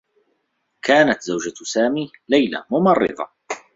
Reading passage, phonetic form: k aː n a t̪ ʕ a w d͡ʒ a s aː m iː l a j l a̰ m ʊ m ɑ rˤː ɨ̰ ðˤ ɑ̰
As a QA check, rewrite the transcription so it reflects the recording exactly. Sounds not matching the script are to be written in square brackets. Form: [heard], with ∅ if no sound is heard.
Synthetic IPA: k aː n a t̪ [z] a w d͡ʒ a s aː m iː l a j l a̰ m ʊ m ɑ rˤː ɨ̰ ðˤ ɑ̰